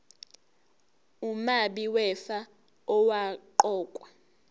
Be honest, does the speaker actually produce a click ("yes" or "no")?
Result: yes